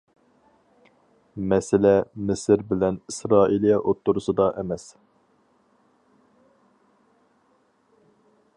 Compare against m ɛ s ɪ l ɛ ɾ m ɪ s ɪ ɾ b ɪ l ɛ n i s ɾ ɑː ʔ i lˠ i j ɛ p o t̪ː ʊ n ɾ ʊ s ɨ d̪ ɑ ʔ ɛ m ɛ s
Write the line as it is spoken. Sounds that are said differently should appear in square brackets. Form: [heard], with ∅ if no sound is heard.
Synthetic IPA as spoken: m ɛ s ɪ l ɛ [∅] m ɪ s ɪ ɾ b ɪ l ɛ n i s ɾ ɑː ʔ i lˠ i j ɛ [ʔ] o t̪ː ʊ [∅] ɾ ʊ s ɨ d̪ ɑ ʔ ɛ m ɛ s